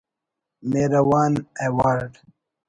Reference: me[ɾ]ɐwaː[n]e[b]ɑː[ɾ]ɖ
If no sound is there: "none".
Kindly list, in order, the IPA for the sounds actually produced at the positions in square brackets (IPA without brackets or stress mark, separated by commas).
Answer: ɾ, n, w, ɾ